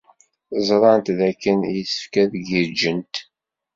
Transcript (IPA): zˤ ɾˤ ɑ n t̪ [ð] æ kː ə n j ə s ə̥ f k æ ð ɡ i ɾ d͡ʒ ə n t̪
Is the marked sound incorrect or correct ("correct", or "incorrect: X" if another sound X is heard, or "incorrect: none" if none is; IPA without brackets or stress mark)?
correct